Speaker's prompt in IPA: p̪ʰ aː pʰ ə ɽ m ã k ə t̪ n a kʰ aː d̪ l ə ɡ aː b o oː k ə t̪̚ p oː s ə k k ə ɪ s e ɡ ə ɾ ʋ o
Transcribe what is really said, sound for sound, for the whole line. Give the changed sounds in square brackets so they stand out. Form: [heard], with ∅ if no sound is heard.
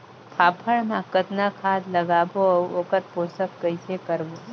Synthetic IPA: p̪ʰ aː pʰ ə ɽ m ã k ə t̪ n a kʰ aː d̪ l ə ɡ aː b o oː k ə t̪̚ p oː s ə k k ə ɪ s e [k] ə ɾ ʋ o